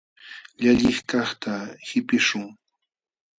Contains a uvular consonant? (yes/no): yes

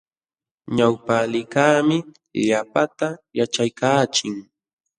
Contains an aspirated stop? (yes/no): no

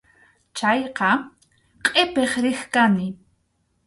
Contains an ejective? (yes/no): yes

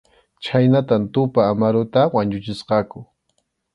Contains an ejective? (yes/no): no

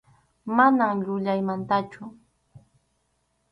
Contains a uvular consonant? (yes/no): no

